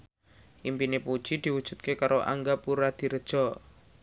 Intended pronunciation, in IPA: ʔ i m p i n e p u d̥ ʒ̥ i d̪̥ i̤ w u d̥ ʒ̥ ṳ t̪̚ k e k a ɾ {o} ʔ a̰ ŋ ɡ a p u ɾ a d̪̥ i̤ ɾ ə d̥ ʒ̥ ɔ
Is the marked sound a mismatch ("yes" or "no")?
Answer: no